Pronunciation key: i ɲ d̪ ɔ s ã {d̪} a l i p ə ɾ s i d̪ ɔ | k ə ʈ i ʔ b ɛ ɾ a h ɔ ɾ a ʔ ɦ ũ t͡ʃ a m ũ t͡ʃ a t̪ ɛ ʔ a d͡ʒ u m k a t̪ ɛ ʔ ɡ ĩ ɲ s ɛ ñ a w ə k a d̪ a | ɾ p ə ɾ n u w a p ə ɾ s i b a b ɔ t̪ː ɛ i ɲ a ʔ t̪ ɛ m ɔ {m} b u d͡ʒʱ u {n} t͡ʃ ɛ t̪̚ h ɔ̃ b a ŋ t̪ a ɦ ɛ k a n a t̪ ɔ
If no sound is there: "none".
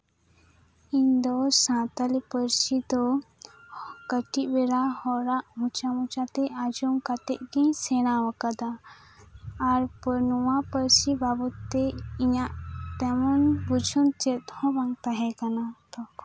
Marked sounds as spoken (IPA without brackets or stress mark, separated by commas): t̪, n, n